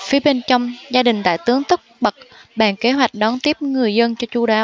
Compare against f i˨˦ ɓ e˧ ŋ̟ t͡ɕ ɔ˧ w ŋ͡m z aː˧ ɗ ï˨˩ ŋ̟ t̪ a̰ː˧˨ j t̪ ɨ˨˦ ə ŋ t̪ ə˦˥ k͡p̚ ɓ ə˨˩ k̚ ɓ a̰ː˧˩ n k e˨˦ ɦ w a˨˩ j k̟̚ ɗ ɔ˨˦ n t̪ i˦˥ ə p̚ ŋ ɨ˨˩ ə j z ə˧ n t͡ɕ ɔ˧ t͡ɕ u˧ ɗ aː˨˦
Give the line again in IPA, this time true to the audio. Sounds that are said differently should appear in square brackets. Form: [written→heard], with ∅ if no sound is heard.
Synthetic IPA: f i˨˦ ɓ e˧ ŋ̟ t͡ɕ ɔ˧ w ŋ͡m z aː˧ ɗ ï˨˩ ŋ̟ t̪ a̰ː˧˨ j t̪ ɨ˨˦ ə ŋ t̪ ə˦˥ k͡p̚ ɓ ə˨˩ k̚ ɓ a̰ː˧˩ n k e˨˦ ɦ w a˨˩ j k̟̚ ɗ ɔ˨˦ n t̪ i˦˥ ə p̚ ŋ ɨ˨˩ ə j z ə˧ n t͡ɕ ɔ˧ t͡ɕ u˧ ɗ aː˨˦